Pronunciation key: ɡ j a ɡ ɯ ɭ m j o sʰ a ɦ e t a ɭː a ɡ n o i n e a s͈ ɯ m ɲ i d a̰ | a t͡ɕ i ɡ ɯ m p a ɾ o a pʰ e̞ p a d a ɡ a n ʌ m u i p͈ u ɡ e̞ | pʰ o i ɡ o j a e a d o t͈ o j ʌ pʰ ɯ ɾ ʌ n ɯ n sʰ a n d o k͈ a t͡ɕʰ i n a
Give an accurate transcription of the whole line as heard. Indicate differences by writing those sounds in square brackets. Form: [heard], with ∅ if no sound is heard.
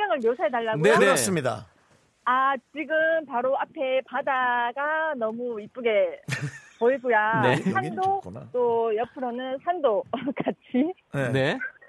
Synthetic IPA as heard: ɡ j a [ŋ] ɯ ɭ m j o sʰ a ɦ e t a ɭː a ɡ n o [e] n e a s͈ ɯ m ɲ i d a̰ | a t͡ɕ i ɡ ɯ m p a ɾ o a pʰ e̞ p a d a ɡ a n ʌ m u i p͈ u ɡ e̞ | [p] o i ɡ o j a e a d o t͈ o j ʌ pʰ ɯ ɾ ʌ n ɯ n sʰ a n d o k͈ a t͡ɕʰ i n [e]